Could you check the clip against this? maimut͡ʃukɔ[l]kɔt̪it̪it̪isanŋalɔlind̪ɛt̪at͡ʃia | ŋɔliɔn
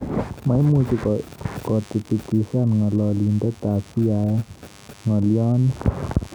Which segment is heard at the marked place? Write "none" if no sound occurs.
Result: none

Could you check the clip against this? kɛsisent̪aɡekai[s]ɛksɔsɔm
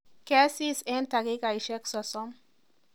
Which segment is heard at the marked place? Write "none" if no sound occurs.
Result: ʃ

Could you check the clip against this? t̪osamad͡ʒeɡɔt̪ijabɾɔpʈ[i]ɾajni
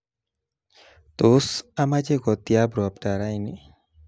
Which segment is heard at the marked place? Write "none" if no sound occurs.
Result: a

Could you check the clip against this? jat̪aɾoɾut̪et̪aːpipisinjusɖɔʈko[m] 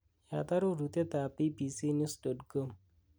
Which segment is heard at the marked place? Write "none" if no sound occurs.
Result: m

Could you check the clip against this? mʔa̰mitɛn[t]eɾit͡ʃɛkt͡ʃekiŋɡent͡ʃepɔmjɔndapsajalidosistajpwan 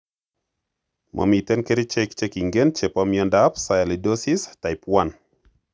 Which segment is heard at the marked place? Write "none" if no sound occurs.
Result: k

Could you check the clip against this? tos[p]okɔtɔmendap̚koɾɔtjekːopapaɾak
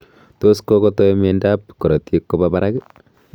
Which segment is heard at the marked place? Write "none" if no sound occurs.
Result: k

